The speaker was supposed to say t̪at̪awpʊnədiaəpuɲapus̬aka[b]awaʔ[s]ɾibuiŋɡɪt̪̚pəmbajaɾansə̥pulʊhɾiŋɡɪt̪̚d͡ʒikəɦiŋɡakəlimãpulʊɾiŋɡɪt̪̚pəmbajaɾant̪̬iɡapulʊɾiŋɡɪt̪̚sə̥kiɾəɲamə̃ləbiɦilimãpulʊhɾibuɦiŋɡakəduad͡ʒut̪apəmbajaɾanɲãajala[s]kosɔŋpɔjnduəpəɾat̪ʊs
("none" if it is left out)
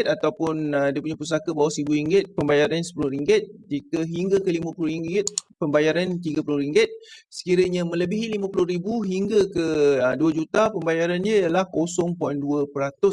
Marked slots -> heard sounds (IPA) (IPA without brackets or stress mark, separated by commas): b, s, h